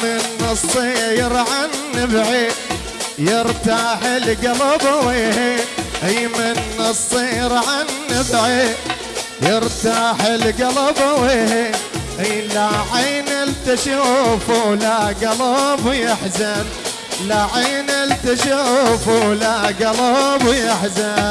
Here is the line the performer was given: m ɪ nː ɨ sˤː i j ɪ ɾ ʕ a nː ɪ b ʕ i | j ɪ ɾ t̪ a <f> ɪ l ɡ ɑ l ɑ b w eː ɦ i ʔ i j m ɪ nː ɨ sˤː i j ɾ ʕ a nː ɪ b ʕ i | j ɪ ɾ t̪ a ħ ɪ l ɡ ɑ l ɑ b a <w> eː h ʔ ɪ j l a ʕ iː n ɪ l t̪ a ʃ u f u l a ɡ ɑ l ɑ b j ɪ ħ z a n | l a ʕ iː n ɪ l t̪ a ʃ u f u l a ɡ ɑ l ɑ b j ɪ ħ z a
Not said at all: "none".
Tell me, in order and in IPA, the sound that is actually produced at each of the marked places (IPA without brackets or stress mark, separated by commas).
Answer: ħ, w